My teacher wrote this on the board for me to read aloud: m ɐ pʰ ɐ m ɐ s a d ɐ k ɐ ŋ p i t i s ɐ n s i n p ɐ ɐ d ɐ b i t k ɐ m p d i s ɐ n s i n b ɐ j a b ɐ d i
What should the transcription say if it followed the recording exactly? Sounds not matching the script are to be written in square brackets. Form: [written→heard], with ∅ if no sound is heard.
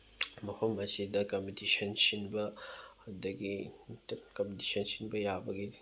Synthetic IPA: m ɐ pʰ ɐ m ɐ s [a→i] d ɐ k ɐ [ŋ→m] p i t i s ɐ n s i n [p→b] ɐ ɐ d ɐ [b→ɡ] i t k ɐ m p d i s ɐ n s i n b ɐ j a b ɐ [d→ɡ] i